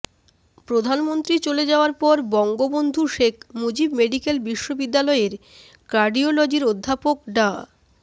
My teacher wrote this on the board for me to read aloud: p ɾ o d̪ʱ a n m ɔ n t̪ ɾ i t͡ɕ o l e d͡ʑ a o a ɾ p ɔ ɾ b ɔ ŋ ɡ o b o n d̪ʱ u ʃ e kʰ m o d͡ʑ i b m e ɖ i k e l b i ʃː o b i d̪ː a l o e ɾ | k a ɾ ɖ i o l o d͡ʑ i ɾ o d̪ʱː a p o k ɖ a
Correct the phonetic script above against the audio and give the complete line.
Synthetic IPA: p ɾ o d̪ʱ a n m o n t̪ ɾ i t͡ɕ o l e d͡ʑ a o a ɾ p ɔ ɾ b ɔ ŋ ɡ o b o n d̪ʱ u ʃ e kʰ m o d͡ʑ i b m e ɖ i k e l b i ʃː o b i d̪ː a l ɔ e ɾ | k a ɾ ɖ i o l o d͡ʑ i ɾ o d̪ʱː a p o k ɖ a